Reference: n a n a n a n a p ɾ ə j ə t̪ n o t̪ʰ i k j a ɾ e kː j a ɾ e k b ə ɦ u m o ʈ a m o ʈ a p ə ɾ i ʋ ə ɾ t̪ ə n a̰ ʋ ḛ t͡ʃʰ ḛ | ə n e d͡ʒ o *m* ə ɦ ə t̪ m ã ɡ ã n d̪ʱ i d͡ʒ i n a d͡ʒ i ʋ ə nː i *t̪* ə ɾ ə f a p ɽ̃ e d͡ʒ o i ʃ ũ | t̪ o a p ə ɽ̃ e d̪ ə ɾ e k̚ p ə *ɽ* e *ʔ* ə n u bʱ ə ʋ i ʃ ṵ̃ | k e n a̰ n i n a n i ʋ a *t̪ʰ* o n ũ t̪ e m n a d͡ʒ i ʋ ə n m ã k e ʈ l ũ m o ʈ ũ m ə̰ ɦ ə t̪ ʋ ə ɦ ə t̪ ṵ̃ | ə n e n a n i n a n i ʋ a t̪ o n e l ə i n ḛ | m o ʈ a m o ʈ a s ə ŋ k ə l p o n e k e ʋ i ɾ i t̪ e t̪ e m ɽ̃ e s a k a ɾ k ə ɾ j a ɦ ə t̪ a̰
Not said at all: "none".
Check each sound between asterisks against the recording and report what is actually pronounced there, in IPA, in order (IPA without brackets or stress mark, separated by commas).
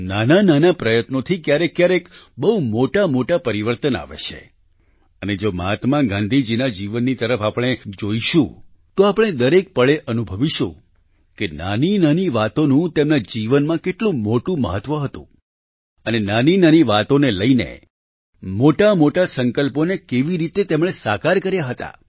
m, t̪, ɭ, ʔ, t̪